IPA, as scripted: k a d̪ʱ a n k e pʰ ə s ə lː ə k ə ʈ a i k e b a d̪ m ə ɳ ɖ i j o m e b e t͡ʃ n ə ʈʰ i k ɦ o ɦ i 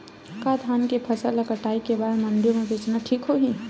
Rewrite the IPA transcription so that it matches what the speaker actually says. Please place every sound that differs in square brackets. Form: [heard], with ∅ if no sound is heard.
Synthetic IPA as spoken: k a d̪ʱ a n k e pʰ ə s ə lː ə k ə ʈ a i k e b a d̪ m ə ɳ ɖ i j o m e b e t͡ʃ n [a] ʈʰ i k ɦ o ɦ i